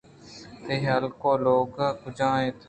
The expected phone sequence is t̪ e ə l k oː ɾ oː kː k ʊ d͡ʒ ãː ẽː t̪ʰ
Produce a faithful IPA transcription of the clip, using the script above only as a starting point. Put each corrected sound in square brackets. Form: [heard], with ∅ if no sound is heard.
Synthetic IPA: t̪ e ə l k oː [l] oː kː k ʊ d͡ʒ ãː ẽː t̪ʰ